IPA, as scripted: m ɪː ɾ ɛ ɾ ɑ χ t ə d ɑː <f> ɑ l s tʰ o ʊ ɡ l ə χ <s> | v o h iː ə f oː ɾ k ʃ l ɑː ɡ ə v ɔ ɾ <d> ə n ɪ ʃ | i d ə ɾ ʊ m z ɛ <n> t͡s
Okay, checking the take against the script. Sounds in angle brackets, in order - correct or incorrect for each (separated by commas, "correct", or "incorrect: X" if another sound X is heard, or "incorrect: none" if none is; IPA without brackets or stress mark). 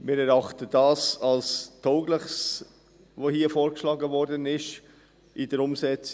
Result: incorrect: s, correct, correct, incorrect: none